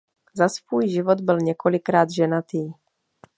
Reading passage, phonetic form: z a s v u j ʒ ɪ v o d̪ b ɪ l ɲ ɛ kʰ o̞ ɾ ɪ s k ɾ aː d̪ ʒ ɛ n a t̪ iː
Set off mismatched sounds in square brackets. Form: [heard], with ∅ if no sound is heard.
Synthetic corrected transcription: z a s v [uː] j ʒ ɪ v o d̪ b ɪ l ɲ ɛ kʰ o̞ [l] ɪ [∅] k ɾ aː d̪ ʒ ɛ n a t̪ iː